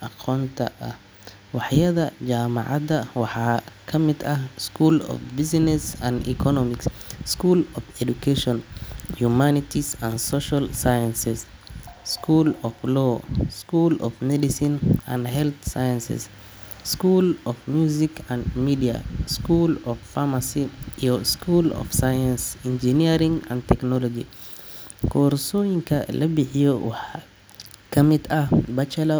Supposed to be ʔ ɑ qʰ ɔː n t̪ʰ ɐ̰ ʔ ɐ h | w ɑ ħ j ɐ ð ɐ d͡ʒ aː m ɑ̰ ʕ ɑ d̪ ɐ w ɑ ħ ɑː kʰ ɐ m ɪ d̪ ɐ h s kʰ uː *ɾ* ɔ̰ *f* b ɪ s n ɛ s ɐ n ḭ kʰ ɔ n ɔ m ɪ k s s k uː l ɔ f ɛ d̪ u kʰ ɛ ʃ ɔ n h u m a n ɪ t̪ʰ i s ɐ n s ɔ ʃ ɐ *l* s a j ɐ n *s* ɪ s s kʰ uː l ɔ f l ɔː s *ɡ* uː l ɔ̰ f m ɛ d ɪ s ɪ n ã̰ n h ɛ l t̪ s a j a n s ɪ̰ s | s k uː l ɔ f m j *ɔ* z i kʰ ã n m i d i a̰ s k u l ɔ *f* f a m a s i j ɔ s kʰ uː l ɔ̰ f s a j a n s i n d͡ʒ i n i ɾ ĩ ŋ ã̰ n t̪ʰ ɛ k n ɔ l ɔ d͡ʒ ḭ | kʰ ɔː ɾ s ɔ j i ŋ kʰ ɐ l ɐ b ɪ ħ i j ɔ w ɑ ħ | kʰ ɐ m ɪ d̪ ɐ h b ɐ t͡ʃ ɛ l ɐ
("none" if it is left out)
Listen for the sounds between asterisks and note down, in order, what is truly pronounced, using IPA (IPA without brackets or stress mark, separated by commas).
l, f, l, s, k, u, f